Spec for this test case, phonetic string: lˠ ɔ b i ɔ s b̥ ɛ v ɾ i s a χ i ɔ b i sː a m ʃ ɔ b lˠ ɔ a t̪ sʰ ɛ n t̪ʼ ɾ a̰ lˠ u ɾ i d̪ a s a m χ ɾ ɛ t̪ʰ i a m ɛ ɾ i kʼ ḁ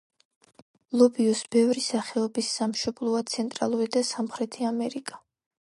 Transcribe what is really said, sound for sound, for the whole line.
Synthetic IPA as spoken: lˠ ɔ b i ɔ s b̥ ɛ v ɾ i s a χ ɛ ɔ b i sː a m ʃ ɔ b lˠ ɔ a t̪ sʰ ɛ n t̪ʼ ɾ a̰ lˠ u ɾ i d̪ a s a m χ ɾ ɛ t̪ʰ i a m ɛ ɾ i kʼ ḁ

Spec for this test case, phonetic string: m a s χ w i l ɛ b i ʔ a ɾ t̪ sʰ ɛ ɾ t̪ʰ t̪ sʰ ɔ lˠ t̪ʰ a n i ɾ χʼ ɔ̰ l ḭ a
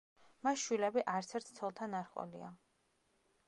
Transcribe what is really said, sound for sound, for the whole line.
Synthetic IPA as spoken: m a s ʃ w i l ɛ b i ʔ a ɾ t̪ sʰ ɛ ɾ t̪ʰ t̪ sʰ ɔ lˠ t̪ʰ a n a ɾ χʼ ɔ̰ l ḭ a

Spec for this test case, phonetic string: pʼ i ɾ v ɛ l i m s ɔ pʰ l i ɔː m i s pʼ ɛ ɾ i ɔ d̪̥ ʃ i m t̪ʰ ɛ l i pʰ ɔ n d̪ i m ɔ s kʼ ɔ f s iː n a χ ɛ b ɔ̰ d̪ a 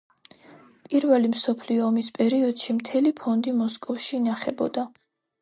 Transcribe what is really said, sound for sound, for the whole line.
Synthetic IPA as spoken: pʼ i ɾ v ɛ l i m s ɔ pʰ l i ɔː m i s pʼ ɛ ɾ i ɔ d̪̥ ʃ i m t̪ʰ ɛ l i pʰ ɔ n d̪ i m ɔ s kʼ ɔ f ʃ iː n a χ ɛ b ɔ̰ d̪ a

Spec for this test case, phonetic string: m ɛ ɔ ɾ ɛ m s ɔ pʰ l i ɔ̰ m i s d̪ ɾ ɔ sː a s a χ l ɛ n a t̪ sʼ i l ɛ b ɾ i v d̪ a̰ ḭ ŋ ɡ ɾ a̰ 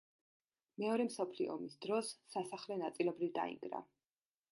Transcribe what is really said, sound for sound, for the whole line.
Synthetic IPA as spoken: m ɛ ɔ ɾ ɛ m s ɔ pʰ l i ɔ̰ m i s d̪ ɾ ɔ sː a s a χ l ɛ n a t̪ sʼ i l ɛ b ɾ i v d̪ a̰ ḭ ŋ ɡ ɾ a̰

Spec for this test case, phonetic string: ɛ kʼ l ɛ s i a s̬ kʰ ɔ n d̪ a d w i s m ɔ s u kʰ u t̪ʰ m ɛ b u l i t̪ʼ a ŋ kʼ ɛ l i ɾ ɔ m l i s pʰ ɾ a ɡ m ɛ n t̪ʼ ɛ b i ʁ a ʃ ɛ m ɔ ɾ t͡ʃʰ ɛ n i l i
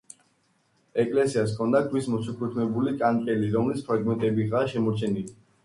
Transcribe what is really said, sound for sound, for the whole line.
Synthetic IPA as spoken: ɛ kʼ l ɛ s i a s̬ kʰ ɔ n d̪ a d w i s m ɔ s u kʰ u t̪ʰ m ɛ b u l i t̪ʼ a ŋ kʼ ɛ l i ɾ ɔ m l i s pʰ ɾ a ɡ m ɛ n t̪ʼ ɛ b i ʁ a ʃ ɛ m ɔ ɾ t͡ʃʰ ɛ n i l i

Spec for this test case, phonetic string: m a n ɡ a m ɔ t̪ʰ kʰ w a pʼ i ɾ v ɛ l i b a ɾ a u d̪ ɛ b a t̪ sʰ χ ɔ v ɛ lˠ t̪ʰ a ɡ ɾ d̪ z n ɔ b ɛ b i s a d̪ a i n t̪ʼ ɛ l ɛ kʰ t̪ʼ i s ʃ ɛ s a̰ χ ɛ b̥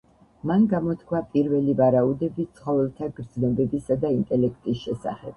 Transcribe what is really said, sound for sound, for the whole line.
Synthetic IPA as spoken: m a n ɡ a m ɔ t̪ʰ kʰ w a pʼ i ɾ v ɛ l i v a ɾ a u d̪ ɛ b i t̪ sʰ χ ɔ v ɛ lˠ t̪ʰ a ɡ ɾ d̪ z n ɔ b ɛ b i s a d̪ a i n t̪ʼ ɛ l ɛ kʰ t̪ʼ i s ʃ ɛ s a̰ χ ɛ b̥

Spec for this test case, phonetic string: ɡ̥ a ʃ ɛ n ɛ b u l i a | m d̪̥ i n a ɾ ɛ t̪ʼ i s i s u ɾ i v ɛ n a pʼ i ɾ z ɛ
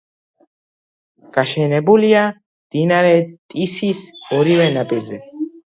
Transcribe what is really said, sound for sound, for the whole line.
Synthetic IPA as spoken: ɡ̥ a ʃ ɛ n ɛ b u l i a | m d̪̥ i n a ɾ ɛ t̪ʼ i s i s ɔ ɾ i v ɛ n a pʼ i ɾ z ɛ

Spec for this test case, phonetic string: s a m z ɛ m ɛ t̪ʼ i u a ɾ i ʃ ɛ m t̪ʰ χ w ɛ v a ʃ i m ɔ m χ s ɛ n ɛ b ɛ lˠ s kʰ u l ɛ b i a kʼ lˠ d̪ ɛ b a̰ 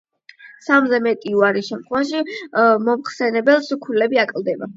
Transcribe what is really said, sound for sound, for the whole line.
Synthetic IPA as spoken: s a m z ɛ m ɛ t̪ʼ i u a ɾ i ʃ ɛ m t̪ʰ χ w ɛ v a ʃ i m ɔ m χ s ɛ n ɛ b ɛ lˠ s kʰ u l ɛ b i a kʼ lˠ d̪ ɛ b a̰

